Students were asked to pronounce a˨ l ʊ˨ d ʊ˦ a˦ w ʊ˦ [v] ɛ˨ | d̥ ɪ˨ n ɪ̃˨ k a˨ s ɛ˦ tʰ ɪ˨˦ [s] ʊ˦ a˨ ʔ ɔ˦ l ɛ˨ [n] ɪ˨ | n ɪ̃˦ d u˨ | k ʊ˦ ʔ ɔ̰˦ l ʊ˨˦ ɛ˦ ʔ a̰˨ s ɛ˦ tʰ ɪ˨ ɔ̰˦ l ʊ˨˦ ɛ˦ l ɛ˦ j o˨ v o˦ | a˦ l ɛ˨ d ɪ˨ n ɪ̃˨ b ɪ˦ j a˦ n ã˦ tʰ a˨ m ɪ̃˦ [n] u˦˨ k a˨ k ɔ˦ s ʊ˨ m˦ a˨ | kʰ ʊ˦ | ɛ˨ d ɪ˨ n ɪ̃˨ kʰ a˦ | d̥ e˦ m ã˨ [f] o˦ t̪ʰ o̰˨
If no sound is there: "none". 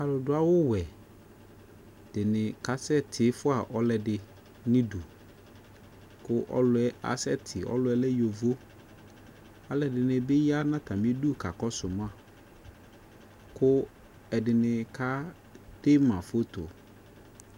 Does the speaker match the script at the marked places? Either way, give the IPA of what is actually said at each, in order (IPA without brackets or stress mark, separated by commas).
w, f, d, d, f